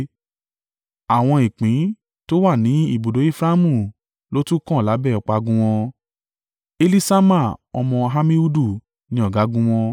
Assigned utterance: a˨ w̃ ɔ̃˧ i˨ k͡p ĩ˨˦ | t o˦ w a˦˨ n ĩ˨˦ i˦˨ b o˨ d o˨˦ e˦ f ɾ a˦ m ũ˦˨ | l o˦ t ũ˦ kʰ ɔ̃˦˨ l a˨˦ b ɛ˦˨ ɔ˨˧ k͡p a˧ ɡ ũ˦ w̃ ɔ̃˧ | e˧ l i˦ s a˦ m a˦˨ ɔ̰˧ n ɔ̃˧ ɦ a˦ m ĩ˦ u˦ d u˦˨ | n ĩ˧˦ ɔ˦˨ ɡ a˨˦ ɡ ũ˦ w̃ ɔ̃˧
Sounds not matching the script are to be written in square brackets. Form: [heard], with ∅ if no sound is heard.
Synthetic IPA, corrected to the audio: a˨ w̃ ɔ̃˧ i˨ k͡p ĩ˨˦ | t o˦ w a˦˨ n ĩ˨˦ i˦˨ b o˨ d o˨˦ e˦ f ɾ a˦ m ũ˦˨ | l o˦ t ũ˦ [k] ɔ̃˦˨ l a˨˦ b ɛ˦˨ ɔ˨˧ k͡p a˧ ɡ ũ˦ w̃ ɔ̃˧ | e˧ l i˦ s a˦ m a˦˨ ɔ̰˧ [m] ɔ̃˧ ɦ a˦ m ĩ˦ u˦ d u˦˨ | n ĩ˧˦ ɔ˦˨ ɡ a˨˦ ɡ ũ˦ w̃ ɔ̃˧